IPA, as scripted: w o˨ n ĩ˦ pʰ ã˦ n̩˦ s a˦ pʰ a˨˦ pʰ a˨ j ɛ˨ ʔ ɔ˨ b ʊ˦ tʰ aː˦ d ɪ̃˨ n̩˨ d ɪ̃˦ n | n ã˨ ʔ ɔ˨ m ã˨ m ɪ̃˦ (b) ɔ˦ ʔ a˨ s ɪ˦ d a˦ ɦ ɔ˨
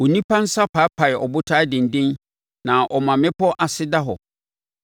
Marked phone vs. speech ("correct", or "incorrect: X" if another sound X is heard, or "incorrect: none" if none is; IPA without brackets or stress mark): incorrect: p